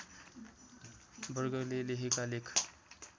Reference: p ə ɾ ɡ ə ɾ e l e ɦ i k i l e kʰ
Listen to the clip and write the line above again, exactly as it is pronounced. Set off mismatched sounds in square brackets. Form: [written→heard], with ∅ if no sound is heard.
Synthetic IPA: [p→b] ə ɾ ɡ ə [ɾ→l] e l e ɦ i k [i→a] l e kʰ